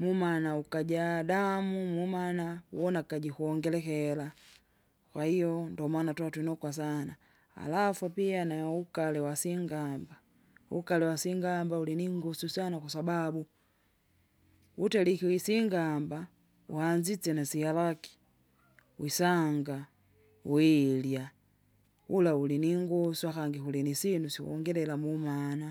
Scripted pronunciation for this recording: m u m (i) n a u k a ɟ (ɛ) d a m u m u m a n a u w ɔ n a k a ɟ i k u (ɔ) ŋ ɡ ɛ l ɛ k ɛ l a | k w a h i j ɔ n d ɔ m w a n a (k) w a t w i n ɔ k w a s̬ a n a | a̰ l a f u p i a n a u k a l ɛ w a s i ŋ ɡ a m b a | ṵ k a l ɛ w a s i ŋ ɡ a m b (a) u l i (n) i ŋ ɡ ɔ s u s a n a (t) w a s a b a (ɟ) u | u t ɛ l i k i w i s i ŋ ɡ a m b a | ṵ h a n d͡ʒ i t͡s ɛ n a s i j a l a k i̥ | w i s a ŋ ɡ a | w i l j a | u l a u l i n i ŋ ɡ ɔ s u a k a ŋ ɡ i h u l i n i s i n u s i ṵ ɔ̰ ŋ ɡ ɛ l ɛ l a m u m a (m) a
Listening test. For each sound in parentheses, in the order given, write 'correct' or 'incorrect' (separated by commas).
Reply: incorrect, incorrect, correct, incorrect, correct, correct, incorrect, incorrect, incorrect